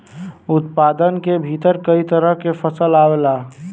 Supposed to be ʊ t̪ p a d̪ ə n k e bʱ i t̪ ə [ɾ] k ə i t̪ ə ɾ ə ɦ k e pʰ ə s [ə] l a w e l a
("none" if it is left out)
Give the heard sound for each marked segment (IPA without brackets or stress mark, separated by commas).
ɾ, ə